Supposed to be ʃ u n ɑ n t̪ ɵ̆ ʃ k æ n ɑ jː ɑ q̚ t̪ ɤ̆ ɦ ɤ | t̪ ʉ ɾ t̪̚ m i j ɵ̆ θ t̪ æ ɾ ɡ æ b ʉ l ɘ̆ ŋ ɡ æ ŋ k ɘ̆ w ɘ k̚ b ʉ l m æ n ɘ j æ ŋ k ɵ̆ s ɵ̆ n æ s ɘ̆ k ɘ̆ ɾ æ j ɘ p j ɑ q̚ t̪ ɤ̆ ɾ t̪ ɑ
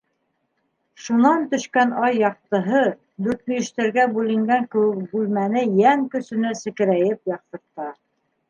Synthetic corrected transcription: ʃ u n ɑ n t̪ ɵ̆ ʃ k æ n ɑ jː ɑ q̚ t̪ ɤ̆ ɦ ɤ | d̪ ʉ ɾ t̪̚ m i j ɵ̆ ʃ t̪ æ ɾ ɡ æ b ʉ l ɘ̆ ŋ ɡ æ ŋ k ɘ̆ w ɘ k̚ b ʉ l m æ n ɘ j æ ŋ k ɵ̆ s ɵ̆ n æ s ɘ̆ k ɘ̆ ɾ æ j ɘ p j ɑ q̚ t̪ ɤ̆ ɾ t̪ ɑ

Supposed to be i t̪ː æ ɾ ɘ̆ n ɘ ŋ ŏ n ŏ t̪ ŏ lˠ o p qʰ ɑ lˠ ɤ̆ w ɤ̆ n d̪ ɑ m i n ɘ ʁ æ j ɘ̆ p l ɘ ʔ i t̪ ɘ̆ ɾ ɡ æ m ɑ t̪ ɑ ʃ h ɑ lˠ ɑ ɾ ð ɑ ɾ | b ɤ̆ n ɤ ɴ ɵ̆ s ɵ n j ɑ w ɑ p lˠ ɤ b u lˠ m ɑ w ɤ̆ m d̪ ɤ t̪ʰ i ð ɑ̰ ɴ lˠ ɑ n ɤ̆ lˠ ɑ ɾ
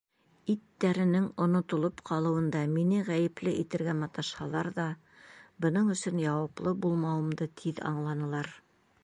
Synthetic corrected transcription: i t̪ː æ ɾ ɘ̆ n ɘ ŋ ŏ n ŏ t̪ ŏ lˠ o p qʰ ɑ lˠ ɤ̆ w ɤ̆ n d̪ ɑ m i n ɘ ʁ æ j ɘ̆ p l ɘ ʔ i t̪ ɘ̆ ɾ ɡ æ m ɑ t̪ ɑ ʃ h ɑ lˠ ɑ ɾ ð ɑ | b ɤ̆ n ɤ ɴ ɵ̆ s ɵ n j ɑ w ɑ p lˠ ɤ b u lˠ m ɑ w ɤ̆ m d̪ ɤ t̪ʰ i ð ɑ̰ ɴ lˠ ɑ n ɤ̆ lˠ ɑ ɾ

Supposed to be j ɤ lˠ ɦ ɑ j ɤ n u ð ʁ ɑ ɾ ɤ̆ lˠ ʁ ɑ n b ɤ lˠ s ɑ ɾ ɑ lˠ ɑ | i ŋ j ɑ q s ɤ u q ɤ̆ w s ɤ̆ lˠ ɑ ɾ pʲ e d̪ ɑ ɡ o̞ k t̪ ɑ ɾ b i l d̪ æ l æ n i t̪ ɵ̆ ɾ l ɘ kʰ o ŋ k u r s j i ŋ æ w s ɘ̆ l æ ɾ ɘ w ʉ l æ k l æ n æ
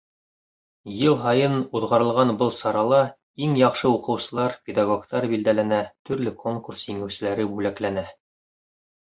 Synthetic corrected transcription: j ɤ lˠ ɦ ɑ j ɤ n u ð ʁ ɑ ɾ ɤ̆ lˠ ʁ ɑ n b ɤ lˠ s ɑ ɾ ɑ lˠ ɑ | i ŋ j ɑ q ʃ ɤ u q ɤ̆ w s ɤ̆ lˠ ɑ ɾ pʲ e d̪ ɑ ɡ o̞ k t̪ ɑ ɾ b i l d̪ æ l æ n æ t̪ ɵ̆ ɾ l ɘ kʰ o ŋ k u r s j i ŋ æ w s ɘ̆ l æ ɾ ɘ b ʉ l æ k l æ n æ

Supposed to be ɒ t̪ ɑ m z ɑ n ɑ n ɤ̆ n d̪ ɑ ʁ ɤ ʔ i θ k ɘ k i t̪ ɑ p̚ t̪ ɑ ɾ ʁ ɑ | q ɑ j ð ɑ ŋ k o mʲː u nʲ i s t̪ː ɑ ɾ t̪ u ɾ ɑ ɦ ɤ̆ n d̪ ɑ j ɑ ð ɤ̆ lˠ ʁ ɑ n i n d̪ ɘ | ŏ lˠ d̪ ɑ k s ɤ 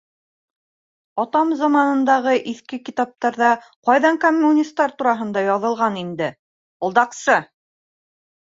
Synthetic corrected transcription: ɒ t̪ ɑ m z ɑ m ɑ n ɤ̆ n d̪ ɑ ʁ ɤ ʔ i θ k ɘ k i t̪ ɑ p̚ t̪ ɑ ɾ ð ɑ | q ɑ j ð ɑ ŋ k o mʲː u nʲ i s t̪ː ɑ ɾ t̪ u ɾ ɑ ɦ ɤ̆ n d̪ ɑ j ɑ ð ɤ̆ lˠ ʁ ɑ n i n d̪ ɘ | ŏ lˠ d̪ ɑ q s ɤ

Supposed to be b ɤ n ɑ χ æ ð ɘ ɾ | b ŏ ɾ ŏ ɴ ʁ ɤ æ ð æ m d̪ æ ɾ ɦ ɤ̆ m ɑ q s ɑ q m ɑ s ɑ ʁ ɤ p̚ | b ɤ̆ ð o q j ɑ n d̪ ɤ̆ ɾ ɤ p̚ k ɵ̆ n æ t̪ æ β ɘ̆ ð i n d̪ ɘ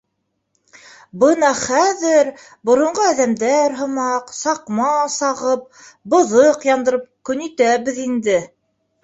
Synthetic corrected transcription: b ɤ n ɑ χ æ ð ɘ ɾ | b ŏ ɾ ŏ ɴ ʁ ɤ æ ð æ m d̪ æ ɾ ɦ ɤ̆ m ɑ q s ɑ q m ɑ s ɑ ʁ ɤ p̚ | b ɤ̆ ð ɤ q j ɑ n d̪ ɤ̆ ɾ ɤ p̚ k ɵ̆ n i t̪ æ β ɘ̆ ð i n d̪ ɘ

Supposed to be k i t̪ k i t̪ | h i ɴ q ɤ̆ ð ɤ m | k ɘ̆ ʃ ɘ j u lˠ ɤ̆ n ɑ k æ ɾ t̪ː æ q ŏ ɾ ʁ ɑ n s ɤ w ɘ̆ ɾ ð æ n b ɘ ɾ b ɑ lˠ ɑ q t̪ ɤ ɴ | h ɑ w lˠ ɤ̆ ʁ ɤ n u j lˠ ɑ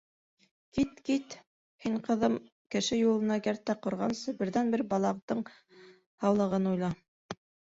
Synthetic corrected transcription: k i t̪ k i t̪ | h i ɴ q ɤ̆ ð ɤ m | k ɘ̆ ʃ ɘ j u lˠ ɤ̆ n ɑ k æ ɾ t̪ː æ q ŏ ɾ ʁ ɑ n s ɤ b ɘ̆ ɾ ð æ n b ɘ ɾ b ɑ lˠ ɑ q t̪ ɤ ɴ | h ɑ w lˠ ɤ̆ ʁ ɤ n u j lˠ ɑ

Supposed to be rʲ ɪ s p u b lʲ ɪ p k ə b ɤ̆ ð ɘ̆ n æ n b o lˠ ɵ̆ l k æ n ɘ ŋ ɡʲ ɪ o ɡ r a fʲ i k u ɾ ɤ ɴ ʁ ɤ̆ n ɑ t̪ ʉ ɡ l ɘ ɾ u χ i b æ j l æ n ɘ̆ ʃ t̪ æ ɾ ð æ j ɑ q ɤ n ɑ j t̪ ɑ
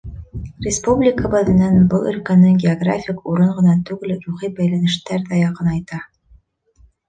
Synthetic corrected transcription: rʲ ɪ s p u b lʲ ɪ k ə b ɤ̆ ð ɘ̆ n æ n b ɤ lˠ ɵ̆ l k æ n ɘ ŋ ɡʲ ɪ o ɡ r a fʲ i k u ɾ ɤ ɴ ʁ ɤ̆ n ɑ t̪ ʉ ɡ l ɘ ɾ u χ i b æ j l æ n ɘ̆ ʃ t̪ æ ɾ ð æ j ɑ q ɤ n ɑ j t̪ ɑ

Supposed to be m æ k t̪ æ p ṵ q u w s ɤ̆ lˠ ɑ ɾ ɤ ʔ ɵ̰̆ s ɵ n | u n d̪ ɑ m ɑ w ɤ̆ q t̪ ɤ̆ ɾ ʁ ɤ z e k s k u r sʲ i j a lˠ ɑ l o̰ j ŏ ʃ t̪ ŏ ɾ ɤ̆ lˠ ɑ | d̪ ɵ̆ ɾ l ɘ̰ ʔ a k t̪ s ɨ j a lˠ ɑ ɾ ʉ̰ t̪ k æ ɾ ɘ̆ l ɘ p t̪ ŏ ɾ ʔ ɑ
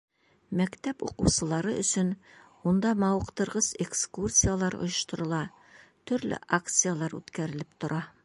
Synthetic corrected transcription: m æ k t̪ æ p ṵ q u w s ɤ̆ lˠ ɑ ɾ ɤ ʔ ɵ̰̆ s ɵ n | u n d̪ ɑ m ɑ w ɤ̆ q t̪ ɤ̆ ɾ ʁ ɤ z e k s k u r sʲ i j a lˠ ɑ ɾ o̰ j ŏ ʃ t̪ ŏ ɾ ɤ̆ lˠ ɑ | t̪ ɵ̆ ɾ l ɘ̰ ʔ a k t̪ s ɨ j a lˠ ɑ ɾ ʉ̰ t̪ k æ ɾ ɘ̆ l ɘ p t̪ ŏ ɾ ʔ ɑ

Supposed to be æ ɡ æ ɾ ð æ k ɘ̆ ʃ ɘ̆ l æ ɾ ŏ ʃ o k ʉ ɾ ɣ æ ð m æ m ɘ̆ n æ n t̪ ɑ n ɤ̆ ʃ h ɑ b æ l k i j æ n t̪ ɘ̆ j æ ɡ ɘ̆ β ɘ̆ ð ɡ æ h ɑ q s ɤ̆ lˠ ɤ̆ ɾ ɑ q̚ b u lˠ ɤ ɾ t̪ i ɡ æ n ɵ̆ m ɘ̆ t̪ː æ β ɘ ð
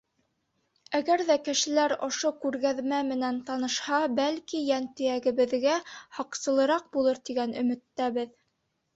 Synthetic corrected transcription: æ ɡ æ ɾ ð æ k ɘ̆ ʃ ɘ̆ l æ ɾ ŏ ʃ o k ʉ ɾ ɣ æ ð m æ m ɘ̆ n æ n t̪ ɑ n ɤ̆ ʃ h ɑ b æ l k i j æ n t̪ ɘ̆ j æ ɡ ɘ̆ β ɘ̆ ð ɡ æ h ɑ q s ɤ̆ lˠ ɤ̆ ɾ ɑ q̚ b u lˠ ɤ ɾ t̪ i ɡ æ n ɵ̆ m ɘ̆ t̪ː æ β ɘ ð

